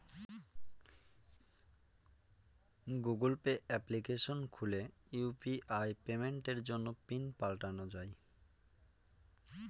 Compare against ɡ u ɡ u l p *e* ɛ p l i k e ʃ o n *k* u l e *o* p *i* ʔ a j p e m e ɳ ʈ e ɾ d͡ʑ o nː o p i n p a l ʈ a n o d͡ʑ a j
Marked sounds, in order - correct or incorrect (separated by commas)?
correct, incorrect, incorrect, correct